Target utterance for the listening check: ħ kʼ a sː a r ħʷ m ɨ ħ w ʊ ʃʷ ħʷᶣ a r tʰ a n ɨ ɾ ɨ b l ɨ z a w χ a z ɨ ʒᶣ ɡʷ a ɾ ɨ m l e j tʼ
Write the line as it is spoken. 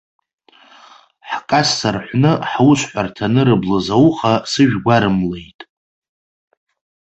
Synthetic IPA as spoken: ħ kʼ a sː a r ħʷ n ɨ ħ w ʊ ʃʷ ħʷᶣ a r tʰ a n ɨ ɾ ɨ b l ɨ z a w χ a s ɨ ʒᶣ ɡʷ a ɾ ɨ m l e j tʼ